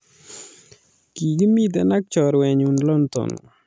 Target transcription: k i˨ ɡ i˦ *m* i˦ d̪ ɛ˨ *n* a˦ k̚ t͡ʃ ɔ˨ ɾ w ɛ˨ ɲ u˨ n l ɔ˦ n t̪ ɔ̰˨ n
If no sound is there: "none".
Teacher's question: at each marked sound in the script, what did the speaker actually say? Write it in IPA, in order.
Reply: m, n

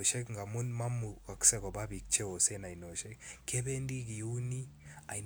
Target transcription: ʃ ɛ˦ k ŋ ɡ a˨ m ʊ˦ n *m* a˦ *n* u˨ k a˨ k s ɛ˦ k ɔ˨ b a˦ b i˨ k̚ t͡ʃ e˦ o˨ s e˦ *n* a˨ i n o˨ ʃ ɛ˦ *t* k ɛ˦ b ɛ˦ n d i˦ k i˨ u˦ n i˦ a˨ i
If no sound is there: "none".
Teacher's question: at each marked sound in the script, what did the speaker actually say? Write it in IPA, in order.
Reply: m, m, n, k

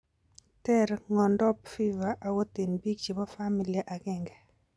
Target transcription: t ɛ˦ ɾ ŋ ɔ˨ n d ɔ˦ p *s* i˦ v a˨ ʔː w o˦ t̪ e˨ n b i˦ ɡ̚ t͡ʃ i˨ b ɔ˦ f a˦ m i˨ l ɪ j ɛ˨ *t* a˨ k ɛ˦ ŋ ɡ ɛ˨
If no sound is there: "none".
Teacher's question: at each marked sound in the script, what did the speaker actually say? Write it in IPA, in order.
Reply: f, ʔ

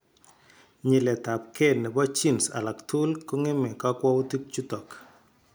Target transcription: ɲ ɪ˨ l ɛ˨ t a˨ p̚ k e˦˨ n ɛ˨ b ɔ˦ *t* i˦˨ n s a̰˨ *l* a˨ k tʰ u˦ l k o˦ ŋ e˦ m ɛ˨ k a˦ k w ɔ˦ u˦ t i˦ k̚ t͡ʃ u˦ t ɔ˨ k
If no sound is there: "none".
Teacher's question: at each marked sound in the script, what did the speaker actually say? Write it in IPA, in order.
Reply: t͡ʃ, l

